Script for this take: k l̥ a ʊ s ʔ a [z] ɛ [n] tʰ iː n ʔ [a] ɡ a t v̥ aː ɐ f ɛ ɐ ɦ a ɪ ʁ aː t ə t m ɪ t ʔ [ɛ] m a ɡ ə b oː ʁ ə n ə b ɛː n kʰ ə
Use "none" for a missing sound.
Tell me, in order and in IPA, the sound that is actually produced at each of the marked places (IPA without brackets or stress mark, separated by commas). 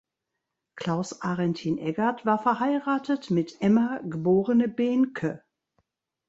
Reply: ʁ, n, ɛ, ɛ